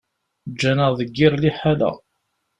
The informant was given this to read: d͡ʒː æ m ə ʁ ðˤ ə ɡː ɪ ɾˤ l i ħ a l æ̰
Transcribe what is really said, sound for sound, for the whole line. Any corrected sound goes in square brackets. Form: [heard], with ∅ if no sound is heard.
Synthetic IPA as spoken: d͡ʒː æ [n] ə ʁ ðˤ ə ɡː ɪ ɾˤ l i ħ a l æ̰

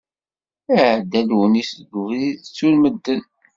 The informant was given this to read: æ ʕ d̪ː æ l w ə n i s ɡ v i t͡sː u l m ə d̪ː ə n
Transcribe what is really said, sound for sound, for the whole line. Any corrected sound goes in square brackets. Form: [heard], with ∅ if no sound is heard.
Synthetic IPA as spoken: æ ʕ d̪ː æ l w ə n i s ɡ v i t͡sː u l m ə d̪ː ə n

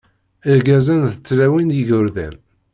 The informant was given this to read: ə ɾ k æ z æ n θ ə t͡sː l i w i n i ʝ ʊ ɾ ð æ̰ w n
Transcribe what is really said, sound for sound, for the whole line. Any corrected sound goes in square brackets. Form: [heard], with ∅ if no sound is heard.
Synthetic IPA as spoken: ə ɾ [ɡ] æ z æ n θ ə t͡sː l [æ] w i n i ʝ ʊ ɾ ð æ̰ [∅] n

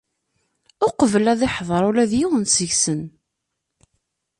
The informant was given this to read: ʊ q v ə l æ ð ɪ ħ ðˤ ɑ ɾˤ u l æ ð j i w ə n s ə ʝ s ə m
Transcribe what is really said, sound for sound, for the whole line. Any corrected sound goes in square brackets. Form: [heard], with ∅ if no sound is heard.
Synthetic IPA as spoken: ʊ q v ə l æ ð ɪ ħ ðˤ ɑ ɾˤ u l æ ð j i w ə n s ə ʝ s ə [n]

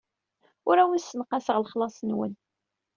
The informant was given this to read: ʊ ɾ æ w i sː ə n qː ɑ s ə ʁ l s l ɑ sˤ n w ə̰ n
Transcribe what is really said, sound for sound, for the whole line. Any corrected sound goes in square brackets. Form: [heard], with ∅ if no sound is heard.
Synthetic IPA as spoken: ʊ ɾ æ w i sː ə n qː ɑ s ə ʁ l [χ] l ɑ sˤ n w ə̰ n

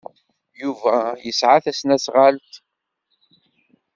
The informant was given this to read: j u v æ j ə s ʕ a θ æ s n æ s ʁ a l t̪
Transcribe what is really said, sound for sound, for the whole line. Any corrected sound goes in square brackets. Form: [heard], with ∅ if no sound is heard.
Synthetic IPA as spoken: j u v æ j ə s ʕ a θ æ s n æ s ʁ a l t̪

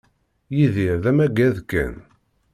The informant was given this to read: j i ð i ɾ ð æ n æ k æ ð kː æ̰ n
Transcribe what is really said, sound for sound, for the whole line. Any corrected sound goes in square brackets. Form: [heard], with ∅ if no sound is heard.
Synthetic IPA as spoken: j i ð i ɾ ð æ [m] æ [ɡ] æ ð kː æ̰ n

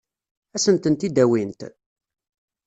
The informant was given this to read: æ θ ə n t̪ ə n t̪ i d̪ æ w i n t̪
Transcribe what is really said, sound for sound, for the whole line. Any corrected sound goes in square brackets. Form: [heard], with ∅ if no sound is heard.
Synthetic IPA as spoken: æ [s] ə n t̪ ə n t̪ i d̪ æ w i n t̪

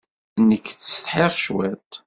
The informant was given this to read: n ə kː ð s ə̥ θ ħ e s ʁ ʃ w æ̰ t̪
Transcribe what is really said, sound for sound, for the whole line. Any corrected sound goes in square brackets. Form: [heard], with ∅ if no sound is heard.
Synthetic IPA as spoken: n ə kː [θ] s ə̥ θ ħ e [∅] ʁ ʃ w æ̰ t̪

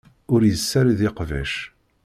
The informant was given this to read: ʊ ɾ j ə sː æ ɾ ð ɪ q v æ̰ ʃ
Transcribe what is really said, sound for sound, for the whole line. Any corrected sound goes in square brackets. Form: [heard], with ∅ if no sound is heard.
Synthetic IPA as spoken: ʊ ɾ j ə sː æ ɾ ð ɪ q v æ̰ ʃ

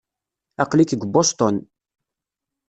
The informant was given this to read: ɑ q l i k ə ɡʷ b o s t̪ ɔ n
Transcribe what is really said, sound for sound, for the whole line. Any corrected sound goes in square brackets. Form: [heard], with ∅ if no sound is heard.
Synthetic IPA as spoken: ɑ q l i k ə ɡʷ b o s t̪ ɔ n

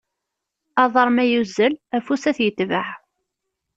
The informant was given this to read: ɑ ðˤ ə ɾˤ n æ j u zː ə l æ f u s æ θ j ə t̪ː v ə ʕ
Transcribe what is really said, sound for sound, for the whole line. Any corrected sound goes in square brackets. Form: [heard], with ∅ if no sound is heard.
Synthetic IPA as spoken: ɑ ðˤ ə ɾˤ [m] æ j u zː ə l æ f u s æ θ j ə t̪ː v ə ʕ

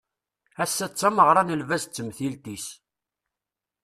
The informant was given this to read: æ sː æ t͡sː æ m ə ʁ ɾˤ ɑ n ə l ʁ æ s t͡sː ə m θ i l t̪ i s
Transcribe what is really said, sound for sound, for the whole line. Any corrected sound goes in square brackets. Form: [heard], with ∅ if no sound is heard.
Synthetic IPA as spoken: æ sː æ t͡sː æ m ə ʁ ɾˤ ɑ n ə l [v] æ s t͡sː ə m θ i l t̪ i s

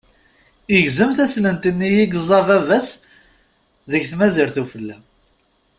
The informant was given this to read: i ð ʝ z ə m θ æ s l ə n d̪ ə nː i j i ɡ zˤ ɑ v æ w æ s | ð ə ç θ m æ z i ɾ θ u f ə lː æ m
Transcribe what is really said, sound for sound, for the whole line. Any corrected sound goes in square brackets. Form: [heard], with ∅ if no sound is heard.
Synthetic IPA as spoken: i [∅] ʝ z ə m θ æ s l ə n [t̪] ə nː i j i ɡ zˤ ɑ v æ [v] æ s | ð ə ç θ m æ z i ɾ θ u f ə lː æ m

